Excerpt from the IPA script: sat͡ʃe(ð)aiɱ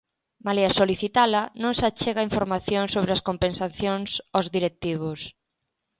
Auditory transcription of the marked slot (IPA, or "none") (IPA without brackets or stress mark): ɣ